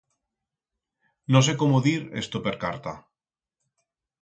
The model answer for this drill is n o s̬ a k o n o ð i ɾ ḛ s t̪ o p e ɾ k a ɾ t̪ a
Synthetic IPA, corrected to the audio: n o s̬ e k o m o ð i ɾ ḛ s t̪ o p e ɾ k a ɾ t̪ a